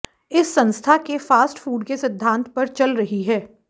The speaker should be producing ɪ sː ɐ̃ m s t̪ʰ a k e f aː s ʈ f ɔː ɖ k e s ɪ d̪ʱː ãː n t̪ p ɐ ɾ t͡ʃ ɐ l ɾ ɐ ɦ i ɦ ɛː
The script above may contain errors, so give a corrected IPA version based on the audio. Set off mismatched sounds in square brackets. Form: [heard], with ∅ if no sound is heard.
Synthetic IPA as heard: ɪ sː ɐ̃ [n] s t̪ʰ a k e f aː s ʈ f [uː] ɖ k e s ɪ d̪ʱː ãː n t̪ p ɐ ɾ t͡ʃ ɐ l ɾ ɐ ɦ i ɦ ɛː